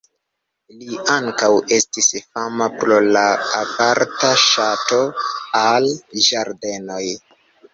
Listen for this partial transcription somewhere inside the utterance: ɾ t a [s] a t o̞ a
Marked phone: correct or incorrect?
incorrect